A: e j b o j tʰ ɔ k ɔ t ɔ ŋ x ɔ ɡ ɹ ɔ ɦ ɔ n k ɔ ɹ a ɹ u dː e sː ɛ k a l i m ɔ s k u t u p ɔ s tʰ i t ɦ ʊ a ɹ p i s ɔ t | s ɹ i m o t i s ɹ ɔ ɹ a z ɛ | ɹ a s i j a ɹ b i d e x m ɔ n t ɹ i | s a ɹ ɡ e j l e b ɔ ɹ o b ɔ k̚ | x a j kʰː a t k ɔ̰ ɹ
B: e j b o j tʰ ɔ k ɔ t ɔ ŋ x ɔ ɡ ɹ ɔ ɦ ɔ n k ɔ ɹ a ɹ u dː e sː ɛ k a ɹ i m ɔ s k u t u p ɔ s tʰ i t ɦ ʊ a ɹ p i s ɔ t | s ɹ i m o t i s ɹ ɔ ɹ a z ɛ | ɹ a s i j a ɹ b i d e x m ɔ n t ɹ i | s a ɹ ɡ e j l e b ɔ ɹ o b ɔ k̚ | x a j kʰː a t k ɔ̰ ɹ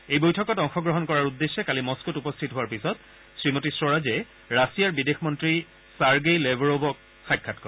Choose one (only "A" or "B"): A